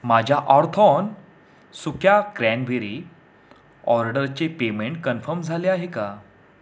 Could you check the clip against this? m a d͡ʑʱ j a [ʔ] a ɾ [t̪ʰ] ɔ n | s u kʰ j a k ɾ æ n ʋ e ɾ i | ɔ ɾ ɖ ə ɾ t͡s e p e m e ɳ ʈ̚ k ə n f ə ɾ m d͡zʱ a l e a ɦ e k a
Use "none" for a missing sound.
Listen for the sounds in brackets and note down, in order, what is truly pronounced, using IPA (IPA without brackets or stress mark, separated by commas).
ʔ, t̪ʰ